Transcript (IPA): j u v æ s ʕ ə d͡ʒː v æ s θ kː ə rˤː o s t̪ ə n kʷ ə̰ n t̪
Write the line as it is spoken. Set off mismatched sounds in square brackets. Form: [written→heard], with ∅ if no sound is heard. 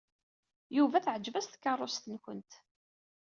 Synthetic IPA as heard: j u v æ [s→θ] ʕ ə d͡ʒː v æ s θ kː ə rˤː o s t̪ ə n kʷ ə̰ n t̪